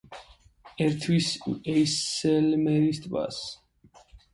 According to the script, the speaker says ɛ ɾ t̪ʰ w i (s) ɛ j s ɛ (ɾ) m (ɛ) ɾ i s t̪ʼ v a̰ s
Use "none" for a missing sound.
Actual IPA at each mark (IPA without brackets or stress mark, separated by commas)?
s, l, ɛ